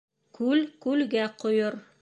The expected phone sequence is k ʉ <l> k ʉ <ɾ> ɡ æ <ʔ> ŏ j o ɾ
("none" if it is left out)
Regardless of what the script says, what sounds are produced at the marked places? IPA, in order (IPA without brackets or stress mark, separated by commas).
l, l, q